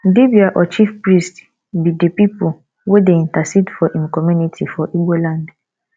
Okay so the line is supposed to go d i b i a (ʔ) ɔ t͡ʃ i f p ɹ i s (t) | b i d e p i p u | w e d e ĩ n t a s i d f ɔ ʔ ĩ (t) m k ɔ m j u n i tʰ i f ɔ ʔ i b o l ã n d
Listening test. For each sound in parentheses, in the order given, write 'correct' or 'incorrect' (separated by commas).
correct, correct, incorrect